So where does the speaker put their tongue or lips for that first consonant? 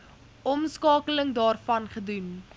lips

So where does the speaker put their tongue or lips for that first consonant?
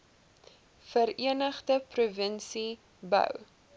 lips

